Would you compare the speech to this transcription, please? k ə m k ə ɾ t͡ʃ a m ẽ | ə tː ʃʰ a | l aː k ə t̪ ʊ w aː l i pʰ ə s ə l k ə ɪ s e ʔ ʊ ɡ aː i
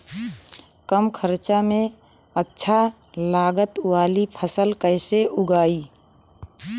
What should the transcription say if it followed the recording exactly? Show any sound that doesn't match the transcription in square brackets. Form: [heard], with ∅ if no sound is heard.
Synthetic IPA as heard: k ə m [kʰ] ə ɾ t͡ʃ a m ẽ | ə tː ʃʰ a | l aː [ɡ] ə t̪ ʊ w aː l i pʰ ə s ə l k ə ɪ s e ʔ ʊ ɡ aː i